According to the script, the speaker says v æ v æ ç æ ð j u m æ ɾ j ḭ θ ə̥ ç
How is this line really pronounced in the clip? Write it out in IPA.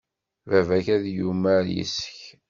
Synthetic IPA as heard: v æ v æ ç æ ð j u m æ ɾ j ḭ s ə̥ ç